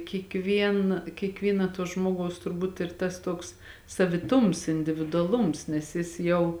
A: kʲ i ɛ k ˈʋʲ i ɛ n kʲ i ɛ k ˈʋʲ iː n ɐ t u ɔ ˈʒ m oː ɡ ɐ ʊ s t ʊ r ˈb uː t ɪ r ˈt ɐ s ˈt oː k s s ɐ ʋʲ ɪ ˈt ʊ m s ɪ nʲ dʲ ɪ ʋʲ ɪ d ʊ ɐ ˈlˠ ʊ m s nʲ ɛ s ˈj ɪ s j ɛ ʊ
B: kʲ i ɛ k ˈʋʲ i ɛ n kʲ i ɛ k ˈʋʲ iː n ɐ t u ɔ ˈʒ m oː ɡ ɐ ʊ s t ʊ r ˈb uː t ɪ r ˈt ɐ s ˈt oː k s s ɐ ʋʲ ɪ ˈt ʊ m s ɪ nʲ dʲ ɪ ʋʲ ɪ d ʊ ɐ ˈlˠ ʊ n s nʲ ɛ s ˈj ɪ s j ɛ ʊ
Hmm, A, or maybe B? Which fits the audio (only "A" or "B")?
A